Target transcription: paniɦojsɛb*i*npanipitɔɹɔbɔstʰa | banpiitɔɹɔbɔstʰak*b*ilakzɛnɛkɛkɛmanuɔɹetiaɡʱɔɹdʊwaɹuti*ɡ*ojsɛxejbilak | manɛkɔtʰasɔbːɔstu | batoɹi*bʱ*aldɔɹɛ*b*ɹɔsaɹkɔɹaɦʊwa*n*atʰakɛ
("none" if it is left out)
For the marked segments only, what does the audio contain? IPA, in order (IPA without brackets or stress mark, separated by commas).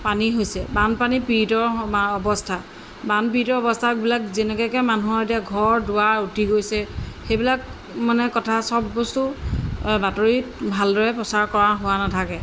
a, b, ɡ, bʱ, p, n